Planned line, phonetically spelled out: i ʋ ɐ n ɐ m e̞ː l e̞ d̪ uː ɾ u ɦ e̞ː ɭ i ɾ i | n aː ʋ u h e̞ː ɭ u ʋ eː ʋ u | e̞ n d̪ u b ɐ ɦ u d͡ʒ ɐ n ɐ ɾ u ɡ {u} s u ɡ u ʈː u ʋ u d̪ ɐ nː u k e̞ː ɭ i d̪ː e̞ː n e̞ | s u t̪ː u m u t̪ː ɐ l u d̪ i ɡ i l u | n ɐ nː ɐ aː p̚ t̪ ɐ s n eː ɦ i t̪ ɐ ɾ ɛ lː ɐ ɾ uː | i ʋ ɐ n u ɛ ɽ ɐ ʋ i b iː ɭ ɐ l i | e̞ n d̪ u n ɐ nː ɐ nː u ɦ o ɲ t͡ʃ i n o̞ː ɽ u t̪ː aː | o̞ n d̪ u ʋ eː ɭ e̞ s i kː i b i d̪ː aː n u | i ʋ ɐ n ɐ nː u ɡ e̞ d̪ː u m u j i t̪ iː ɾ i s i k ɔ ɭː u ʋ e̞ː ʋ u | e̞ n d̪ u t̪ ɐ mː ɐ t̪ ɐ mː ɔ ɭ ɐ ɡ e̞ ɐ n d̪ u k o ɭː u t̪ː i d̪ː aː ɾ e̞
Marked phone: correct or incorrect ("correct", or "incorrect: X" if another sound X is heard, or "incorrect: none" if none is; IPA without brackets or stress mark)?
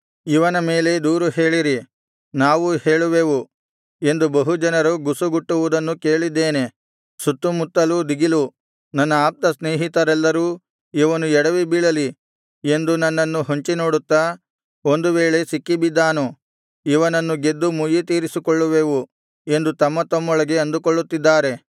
correct